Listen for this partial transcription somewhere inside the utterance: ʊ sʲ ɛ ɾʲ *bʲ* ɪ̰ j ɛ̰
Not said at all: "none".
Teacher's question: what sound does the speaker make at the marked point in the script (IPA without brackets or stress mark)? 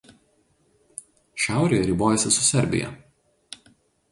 bʲ